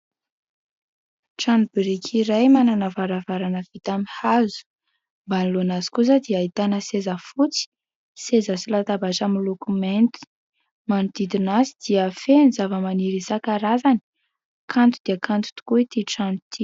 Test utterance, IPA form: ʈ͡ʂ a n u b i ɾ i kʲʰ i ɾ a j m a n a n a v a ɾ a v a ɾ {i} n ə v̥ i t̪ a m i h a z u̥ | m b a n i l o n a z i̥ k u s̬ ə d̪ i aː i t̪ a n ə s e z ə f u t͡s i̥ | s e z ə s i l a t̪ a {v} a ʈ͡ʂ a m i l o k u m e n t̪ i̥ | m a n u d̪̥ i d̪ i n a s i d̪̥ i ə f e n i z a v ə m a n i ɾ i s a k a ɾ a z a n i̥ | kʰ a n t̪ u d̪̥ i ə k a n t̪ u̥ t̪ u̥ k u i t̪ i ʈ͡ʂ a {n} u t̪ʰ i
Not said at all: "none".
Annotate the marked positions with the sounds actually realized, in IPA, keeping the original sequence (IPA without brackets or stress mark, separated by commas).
a, b, n